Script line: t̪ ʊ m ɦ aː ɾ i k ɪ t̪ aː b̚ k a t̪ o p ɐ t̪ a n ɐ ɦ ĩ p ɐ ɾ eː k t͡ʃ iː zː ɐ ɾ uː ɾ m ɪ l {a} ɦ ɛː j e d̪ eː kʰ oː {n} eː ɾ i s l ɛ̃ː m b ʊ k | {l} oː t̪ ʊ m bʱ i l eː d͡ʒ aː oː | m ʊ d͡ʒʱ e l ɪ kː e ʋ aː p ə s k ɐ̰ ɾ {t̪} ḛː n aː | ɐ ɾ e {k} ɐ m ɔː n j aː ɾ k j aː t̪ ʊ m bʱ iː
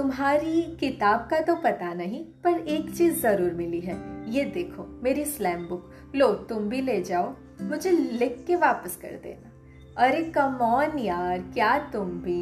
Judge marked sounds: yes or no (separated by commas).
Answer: no, no, yes, no, yes